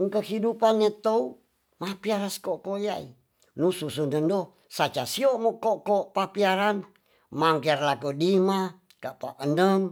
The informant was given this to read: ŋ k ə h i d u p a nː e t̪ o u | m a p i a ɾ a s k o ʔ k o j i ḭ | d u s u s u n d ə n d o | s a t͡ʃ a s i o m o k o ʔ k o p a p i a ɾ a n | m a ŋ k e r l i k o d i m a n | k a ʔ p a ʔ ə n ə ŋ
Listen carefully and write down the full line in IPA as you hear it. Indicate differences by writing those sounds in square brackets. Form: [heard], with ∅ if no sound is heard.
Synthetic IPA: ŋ k ə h i d u p a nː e t̪ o u | m a p i a ɾ a s k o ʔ k o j [a] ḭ | [n] u s u s u n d ə n d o | s a t͡ʃ a s i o m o k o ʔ k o p a p i a ɾ a n | m a ŋ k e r l [a] k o d i m a [∅] | k a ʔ p a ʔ ə n ə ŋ